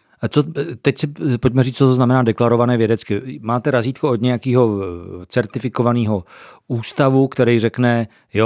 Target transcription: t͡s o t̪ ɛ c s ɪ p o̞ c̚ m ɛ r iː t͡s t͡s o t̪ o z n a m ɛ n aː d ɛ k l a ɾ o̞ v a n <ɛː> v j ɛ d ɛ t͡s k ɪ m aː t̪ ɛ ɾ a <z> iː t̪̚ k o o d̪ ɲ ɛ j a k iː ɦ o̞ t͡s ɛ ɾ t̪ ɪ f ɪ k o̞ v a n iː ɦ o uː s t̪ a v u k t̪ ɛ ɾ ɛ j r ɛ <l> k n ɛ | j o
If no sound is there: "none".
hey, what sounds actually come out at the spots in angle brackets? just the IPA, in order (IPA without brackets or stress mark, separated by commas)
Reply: ɛː, z, none